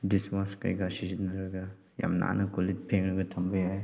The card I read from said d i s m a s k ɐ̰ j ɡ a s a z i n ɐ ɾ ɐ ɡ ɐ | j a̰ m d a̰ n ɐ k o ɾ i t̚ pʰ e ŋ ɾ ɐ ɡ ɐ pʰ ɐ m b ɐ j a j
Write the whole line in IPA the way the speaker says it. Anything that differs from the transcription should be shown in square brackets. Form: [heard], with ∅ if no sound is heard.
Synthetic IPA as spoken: d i s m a s k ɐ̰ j ɡ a s [i] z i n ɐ ɾ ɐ ɡ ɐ | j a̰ m [n] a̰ n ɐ k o [l] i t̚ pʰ e ŋ ɾ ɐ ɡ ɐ [tʰ] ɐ m b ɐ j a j